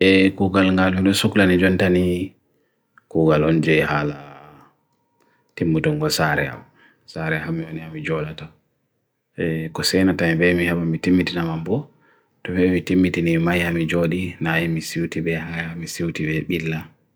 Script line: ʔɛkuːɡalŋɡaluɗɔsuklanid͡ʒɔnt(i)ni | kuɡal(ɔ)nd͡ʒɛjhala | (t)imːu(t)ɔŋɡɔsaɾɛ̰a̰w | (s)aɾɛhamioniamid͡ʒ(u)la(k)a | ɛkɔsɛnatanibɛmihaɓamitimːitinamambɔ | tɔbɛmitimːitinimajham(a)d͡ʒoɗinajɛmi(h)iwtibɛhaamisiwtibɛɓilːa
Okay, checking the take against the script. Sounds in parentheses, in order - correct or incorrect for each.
incorrect, correct, correct, correct, correct, incorrect, incorrect, incorrect, incorrect

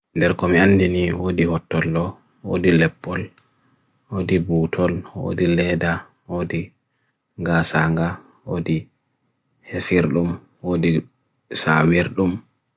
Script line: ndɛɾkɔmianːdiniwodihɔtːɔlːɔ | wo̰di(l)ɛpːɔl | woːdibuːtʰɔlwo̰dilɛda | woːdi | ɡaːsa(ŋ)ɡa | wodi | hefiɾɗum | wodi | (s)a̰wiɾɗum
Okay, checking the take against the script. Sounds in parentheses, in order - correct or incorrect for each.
correct, correct, correct

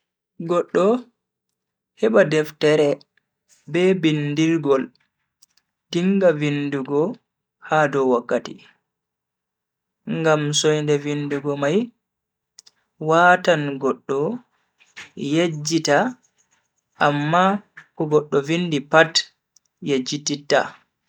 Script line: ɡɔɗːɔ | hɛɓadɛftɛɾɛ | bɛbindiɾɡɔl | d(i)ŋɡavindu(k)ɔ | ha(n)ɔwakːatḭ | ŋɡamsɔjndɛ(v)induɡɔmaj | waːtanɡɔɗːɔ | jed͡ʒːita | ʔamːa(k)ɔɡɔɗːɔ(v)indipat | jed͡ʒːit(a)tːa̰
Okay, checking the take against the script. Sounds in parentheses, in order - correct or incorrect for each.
correct, incorrect, incorrect, correct, correct, correct, incorrect

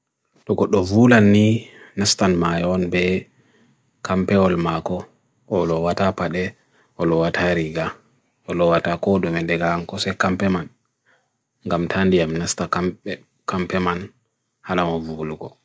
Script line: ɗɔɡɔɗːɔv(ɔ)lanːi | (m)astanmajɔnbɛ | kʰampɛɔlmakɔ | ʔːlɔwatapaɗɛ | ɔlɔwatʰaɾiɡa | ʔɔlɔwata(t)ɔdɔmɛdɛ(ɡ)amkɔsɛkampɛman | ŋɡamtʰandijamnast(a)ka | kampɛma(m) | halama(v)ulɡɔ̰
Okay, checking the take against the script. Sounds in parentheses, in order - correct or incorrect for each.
incorrect, incorrect, incorrect, correct, correct, incorrect, correct

